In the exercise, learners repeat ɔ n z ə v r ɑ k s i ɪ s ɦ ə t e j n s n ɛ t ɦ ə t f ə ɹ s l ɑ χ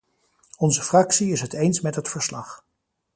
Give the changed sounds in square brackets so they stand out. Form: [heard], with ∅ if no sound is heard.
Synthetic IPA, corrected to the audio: ɔ n z ə [f] r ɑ k s i ɪ s ɦ ə t e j n s [m] ɛ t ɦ ə t f ə ɹ s l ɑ χ